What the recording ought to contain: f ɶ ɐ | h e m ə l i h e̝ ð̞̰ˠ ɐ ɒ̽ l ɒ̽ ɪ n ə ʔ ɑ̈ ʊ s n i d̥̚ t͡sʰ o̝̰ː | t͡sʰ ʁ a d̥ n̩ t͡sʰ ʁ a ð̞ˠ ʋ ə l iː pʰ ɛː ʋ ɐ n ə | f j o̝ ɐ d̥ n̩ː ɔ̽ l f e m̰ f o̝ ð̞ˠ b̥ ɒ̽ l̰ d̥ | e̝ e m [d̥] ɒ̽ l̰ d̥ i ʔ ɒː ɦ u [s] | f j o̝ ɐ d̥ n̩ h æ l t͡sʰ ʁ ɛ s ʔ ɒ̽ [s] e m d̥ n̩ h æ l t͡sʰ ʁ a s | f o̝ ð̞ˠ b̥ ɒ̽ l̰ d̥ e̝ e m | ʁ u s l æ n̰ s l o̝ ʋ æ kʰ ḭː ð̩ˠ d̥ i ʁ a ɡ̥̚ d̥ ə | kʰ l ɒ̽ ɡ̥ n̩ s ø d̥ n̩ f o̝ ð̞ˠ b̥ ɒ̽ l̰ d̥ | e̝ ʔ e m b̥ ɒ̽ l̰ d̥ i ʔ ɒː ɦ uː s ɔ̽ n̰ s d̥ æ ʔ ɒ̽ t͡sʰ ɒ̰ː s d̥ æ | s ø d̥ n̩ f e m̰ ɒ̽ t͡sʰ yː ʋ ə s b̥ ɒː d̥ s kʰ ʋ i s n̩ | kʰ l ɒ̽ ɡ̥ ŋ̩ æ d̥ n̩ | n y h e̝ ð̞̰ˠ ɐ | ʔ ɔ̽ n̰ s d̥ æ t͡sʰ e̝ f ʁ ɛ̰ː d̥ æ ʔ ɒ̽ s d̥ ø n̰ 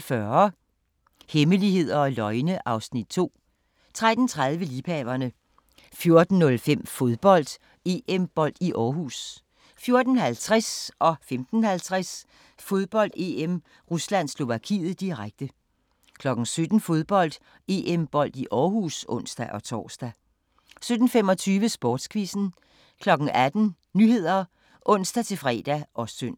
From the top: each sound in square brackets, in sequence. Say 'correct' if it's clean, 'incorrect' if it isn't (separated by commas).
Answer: incorrect, correct, incorrect